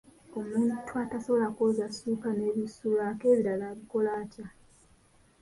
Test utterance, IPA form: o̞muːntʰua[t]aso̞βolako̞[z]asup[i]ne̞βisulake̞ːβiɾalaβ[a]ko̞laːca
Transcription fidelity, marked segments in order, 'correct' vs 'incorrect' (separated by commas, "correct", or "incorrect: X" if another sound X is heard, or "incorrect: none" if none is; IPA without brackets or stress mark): correct, correct, incorrect: a, incorrect: i